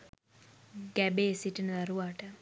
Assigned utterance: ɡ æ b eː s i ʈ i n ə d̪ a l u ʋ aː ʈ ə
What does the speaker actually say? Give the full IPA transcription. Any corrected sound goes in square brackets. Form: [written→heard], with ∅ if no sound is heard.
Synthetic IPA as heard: ɡ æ b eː s i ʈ i n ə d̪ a [l→ɾ] u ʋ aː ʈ ə